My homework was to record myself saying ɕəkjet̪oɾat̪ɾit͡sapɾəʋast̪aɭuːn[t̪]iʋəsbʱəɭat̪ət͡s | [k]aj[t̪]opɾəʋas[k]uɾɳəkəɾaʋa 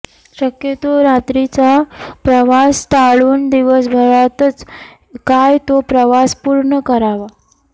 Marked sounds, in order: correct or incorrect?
incorrect, correct, correct, incorrect

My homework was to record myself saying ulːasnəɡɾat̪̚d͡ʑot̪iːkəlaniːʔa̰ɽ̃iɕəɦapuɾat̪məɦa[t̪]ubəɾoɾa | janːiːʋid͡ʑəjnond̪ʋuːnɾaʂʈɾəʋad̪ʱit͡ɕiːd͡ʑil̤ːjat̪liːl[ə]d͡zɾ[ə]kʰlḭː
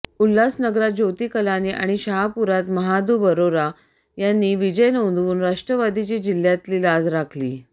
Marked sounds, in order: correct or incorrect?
incorrect, incorrect, incorrect

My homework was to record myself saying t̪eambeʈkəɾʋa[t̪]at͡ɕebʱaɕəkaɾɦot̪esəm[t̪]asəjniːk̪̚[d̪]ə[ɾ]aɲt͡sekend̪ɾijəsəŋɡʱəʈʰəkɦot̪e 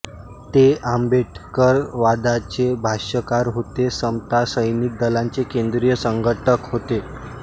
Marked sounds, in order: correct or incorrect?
incorrect, correct, correct, incorrect

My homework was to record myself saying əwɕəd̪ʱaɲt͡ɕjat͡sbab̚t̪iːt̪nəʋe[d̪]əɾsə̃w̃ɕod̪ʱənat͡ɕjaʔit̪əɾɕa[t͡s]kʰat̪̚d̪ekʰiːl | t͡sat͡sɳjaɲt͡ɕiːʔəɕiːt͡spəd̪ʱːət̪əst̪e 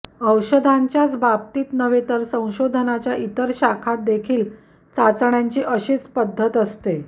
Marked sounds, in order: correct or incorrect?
incorrect, incorrect

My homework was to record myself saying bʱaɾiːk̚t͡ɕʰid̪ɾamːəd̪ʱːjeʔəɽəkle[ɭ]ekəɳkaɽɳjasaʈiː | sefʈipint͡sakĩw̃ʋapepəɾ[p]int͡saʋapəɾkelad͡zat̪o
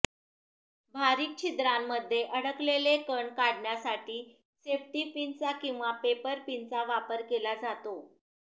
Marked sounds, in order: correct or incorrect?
incorrect, correct

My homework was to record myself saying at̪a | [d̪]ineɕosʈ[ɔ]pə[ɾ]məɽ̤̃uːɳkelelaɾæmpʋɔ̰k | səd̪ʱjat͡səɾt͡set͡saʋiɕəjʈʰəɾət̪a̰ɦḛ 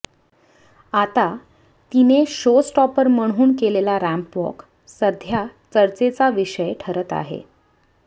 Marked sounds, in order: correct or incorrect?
incorrect, correct, correct

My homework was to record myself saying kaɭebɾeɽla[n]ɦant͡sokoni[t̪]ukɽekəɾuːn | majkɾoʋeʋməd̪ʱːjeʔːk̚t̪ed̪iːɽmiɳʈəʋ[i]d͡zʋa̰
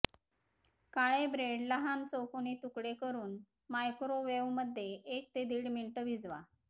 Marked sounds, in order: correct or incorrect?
incorrect, correct, correct

